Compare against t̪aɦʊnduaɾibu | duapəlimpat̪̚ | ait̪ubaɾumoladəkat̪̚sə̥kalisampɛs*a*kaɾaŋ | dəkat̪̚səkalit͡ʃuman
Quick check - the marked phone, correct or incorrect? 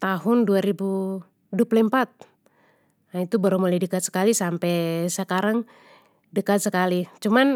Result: incorrect